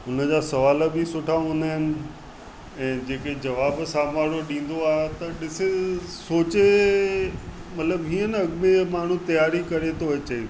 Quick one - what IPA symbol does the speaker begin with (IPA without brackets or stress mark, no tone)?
ʊ